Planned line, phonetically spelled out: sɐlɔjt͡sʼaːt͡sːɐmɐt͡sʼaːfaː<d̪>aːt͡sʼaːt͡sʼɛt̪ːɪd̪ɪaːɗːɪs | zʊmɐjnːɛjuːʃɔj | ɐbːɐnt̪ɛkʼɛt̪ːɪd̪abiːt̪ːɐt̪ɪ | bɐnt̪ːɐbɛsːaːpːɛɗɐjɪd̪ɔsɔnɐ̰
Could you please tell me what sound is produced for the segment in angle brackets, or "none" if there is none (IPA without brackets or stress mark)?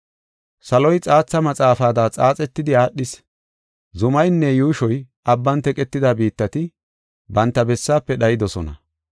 d̪